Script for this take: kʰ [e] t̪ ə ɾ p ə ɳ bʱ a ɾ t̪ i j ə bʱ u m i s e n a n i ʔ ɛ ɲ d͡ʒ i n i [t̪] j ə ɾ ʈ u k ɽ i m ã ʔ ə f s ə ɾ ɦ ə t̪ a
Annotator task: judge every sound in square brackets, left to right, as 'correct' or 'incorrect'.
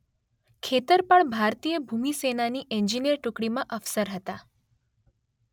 correct, incorrect: none

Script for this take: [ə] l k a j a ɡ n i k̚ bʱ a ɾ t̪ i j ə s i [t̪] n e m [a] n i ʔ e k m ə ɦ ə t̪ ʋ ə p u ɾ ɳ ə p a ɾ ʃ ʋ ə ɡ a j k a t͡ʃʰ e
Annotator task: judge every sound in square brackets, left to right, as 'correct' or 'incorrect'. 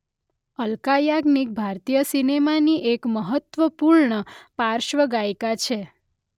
correct, incorrect: none, correct

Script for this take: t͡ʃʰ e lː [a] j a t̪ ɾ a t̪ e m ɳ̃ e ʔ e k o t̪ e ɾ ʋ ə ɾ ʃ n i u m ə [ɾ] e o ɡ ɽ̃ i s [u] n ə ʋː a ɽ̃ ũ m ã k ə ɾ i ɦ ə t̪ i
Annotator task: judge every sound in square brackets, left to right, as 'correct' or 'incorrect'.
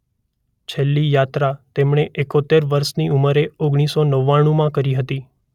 incorrect: i, correct, incorrect: o

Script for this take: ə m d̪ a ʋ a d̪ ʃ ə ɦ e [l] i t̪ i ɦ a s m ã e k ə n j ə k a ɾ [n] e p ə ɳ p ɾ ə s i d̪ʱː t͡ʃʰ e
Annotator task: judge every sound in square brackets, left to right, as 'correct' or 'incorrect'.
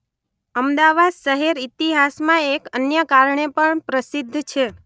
incorrect: ɾ, incorrect: ɳ

